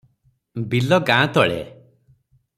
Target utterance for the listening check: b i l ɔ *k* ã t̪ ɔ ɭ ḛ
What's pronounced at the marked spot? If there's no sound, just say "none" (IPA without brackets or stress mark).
ɡ